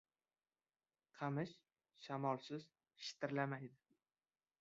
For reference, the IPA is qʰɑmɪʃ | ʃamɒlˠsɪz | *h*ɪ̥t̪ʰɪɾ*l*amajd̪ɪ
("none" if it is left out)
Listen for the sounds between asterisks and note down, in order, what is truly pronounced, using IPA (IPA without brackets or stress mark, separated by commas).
ʃ, l